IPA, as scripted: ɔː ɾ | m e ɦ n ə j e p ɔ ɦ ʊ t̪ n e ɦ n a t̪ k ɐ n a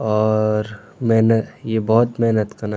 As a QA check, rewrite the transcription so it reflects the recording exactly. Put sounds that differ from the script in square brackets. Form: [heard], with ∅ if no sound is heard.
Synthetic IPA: ɔː ɾ | m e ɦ n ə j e [b] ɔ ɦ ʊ t̪ [m] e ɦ n [ə] t̪ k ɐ n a